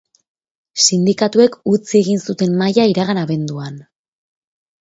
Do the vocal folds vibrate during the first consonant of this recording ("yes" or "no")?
no